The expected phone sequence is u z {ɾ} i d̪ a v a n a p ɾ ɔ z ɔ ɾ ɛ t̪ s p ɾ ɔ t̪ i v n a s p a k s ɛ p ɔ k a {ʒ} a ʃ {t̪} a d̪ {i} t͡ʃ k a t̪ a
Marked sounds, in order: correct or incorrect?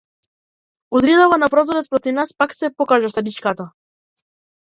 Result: correct, correct, correct, correct

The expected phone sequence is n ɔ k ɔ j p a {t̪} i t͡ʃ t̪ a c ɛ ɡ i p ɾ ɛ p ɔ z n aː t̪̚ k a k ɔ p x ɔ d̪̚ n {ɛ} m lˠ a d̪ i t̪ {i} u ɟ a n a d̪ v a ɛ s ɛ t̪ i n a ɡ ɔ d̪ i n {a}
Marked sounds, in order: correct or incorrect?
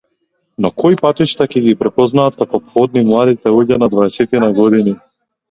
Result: correct, incorrect: i, incorrect: ɛ, incorrect: i

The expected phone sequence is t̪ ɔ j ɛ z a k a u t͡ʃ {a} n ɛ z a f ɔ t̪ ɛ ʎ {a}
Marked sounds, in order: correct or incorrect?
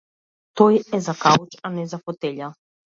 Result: correct, correct

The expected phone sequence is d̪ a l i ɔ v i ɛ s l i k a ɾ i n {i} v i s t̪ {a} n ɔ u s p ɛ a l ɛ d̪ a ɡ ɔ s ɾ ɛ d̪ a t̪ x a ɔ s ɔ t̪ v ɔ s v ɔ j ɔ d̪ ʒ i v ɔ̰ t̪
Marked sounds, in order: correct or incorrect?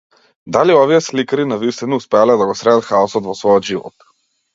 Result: incorrect: a, incorrect: i

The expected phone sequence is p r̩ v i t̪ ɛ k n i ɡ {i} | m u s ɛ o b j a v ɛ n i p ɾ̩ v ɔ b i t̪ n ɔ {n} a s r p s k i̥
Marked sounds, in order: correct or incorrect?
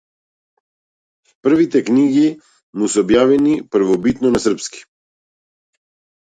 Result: correct, correct

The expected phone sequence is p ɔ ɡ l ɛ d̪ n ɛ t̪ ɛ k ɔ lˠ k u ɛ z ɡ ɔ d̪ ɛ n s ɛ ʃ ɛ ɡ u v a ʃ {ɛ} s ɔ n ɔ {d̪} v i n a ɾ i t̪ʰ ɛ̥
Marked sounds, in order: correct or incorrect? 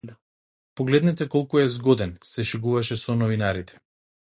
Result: correct, incorrect: none

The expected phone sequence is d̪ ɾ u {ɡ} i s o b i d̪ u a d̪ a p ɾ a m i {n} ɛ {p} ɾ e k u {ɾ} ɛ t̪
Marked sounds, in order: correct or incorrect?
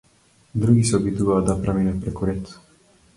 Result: correct, correct, correct, correct

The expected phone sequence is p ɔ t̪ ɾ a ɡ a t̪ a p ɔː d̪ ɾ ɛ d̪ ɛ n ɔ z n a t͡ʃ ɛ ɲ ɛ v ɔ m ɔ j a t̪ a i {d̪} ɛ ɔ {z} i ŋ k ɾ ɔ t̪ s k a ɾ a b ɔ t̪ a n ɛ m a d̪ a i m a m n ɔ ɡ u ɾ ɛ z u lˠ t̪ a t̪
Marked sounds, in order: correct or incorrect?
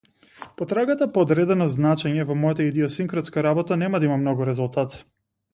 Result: correct, incorrect: s

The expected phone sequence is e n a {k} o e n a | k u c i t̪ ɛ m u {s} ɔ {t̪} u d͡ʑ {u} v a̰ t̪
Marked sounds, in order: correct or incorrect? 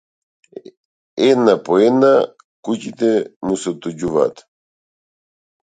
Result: incorrect: p, correct, correct, correct

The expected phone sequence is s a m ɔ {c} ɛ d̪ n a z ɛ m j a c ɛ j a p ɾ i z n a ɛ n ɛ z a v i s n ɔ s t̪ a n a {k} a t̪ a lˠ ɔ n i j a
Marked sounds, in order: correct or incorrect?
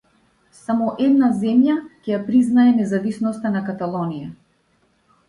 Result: incorrect: ʔ, correct

